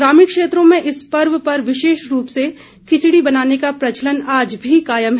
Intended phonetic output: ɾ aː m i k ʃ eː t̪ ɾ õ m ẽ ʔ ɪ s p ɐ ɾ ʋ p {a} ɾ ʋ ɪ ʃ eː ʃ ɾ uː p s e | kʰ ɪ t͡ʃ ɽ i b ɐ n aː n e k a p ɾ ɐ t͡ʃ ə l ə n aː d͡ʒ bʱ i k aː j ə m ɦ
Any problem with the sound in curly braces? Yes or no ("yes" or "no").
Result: yes